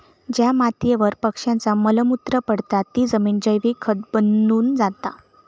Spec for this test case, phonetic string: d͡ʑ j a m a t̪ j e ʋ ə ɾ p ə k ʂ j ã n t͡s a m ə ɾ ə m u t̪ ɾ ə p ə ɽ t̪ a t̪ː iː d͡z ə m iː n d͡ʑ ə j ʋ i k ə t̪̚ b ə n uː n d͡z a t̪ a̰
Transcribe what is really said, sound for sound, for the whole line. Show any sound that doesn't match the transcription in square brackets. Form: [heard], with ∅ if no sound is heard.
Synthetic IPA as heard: d͡ʑ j a m a t̪ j e ʋ ə ɾ p ə k ʂ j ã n t͡s a m ə [l] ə m u t̪ ɾ ə p ə ɽ t̪ a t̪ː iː d͡z ə m iː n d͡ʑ ə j ʋ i [kʰ] ə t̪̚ b ə n uː n d͡z a t̪ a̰

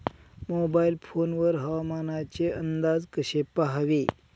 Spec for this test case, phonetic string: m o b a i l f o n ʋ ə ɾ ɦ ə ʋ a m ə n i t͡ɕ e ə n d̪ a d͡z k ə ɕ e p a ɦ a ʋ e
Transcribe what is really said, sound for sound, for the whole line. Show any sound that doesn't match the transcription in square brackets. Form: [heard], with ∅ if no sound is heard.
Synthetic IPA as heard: m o b a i l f o n ʋ ə ɾ ɦ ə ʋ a m [a] n [a] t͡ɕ e ə n d̪ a d͡z k ə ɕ e p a ɦ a ʋ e

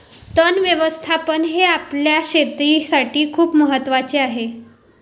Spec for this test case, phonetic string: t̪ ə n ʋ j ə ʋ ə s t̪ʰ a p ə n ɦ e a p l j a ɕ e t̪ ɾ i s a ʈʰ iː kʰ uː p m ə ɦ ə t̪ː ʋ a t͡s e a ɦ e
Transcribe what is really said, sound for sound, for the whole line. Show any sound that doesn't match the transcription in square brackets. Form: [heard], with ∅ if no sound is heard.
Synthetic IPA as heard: t̪ ə n ʋ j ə ʋ ə s t̪ʰ a p ə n ɦ e a p l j a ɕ e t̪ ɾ i s a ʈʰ iː kʰ uː p m ə ɦ ə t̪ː ʋ a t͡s e a ɦ e

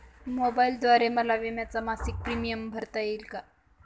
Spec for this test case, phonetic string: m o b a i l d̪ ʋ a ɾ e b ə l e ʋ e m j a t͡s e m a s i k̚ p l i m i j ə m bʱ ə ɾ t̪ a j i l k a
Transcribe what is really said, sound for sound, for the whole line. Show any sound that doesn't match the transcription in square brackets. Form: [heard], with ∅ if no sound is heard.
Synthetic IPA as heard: m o b a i l d̪ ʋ a ɾ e [m] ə l [a] ʋ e m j a t͡s [a] m a s i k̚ p [ɾ] i m i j ə m bʱ ə ɾ t̪ a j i l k a

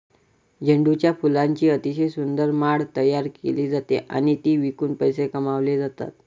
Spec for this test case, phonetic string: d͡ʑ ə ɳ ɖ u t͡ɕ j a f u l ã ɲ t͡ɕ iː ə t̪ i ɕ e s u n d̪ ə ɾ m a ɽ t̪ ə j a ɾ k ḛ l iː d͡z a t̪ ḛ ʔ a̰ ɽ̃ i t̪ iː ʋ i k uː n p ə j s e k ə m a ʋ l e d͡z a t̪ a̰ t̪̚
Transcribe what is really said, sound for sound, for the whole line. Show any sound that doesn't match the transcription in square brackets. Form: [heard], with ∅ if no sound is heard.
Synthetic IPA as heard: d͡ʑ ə ɳ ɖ u t͡ɕ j a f u l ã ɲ t͡ɕ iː ə t̪ i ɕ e s u n d̪ ə ɾ m a ɽ t̪ ə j a ɾ k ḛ l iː d͡z a t̪ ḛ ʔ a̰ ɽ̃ i t̪ iː ʋ i k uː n p ə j s e k ə m a ʋ l e d͡z a t̪ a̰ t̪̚

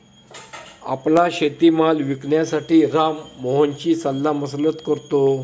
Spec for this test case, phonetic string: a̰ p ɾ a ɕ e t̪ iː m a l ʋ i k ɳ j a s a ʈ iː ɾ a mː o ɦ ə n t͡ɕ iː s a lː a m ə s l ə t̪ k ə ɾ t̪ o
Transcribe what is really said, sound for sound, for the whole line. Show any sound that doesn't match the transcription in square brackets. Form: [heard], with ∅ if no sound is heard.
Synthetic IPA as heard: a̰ p [l] a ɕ e t̪ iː m a l ʋ i k ɳ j a s a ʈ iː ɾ a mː o ɦ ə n t͡ɕ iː s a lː a m ə s l ə t̪ k ə ɾ t̪ o

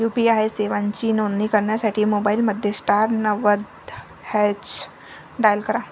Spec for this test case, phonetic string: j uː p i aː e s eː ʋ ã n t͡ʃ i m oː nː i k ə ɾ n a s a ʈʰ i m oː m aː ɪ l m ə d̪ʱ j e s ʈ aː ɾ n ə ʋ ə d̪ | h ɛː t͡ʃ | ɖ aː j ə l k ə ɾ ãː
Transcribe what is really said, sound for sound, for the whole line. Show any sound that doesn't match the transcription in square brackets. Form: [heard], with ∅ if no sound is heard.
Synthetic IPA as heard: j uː p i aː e s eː ʋ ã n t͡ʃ i [n] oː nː i k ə ɾ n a s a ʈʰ i m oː [b] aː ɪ l m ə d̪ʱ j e s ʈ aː ɾ n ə ʋ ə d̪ | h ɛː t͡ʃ | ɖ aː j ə l k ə ɾ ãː

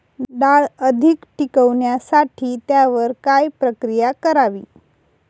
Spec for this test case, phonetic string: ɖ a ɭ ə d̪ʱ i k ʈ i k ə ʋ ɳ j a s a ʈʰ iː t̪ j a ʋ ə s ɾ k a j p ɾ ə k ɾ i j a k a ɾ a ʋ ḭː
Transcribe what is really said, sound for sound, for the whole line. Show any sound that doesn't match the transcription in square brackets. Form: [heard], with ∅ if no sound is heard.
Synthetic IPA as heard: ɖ a ɭ ə d̪ʱ i k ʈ i k ə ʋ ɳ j a s a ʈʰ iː t̪ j a ʋ ə [∅] ɾ k a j p ɾ ə k ɾ i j a k [ə] ɾ a ʋ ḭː

